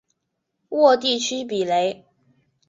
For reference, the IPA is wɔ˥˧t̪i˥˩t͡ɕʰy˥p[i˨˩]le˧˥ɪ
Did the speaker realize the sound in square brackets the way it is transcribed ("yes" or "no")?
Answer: yes